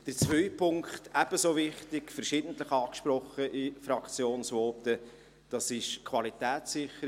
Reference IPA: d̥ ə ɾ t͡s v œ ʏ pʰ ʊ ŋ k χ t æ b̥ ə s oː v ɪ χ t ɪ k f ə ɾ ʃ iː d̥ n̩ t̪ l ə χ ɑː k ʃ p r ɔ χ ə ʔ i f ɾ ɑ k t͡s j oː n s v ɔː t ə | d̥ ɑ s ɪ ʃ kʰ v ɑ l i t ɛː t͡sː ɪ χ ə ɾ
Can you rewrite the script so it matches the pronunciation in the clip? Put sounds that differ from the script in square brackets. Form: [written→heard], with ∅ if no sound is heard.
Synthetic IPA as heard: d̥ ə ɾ t͡s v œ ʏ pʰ ʊ ŋ k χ t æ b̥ ə s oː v ɪ χ t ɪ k f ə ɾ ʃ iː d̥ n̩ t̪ l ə χ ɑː k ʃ p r ɔ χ ə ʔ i f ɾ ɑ k t͡s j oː n s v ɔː t ə | d̥ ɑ s ɪ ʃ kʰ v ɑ l i t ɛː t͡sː ɪ χ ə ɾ